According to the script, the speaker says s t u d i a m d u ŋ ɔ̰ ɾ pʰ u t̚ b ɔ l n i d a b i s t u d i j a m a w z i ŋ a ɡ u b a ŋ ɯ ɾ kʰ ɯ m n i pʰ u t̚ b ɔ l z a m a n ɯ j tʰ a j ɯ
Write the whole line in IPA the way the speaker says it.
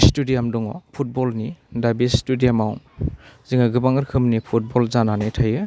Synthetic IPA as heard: s t u d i a m d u ŋ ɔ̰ pʰ u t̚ b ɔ l n i d a b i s t u d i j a m a w z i ŋ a ɡ ɯ b a ŋ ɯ ɾ kʰ ɯ m n i pʰ u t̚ b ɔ l z a n a n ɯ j tʰ a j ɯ